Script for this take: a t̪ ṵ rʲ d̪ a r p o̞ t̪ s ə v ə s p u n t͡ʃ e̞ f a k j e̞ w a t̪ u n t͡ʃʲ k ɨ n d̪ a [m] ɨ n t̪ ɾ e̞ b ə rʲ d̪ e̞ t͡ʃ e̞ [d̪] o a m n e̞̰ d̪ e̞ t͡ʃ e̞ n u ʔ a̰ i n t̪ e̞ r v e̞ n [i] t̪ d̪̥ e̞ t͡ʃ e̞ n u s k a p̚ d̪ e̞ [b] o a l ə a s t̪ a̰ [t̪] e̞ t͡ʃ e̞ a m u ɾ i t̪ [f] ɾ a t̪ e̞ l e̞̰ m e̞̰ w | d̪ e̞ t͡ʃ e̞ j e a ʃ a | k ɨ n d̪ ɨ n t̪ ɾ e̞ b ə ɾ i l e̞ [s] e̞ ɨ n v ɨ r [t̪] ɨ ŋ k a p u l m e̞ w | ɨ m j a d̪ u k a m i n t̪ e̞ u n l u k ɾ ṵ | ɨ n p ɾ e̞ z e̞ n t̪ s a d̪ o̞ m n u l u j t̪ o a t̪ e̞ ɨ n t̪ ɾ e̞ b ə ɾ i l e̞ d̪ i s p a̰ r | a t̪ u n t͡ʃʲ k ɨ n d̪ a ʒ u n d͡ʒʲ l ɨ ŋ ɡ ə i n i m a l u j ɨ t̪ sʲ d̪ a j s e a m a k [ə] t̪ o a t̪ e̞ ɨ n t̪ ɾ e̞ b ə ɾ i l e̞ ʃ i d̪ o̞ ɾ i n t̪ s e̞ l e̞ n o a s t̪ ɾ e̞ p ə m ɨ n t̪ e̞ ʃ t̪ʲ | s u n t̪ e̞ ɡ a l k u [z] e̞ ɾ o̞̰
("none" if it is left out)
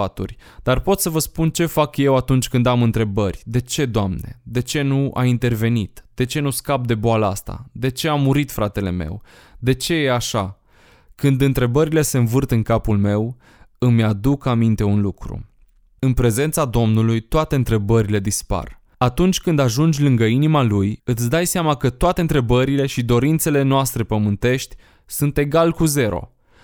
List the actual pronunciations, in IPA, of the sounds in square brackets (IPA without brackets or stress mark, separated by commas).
m, d̪, i, b, d̪, f, s, t̪, ə, z